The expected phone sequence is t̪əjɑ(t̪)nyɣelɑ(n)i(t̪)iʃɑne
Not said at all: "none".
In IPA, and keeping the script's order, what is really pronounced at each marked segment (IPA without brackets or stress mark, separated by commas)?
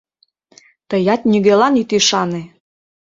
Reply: t̪, n, t̪